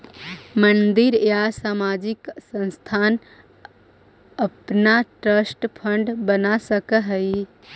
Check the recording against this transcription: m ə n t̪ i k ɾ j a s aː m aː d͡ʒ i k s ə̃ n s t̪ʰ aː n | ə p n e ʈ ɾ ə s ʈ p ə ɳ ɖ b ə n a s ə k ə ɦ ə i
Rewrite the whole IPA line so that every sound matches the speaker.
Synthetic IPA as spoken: m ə n d̪ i ɾ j a s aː m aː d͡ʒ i k s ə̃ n s t̪ʰ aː n | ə p n a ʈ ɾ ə s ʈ pʰ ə ɳ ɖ b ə n a s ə k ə ɦ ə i